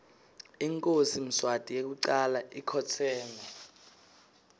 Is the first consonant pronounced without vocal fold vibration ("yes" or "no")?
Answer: no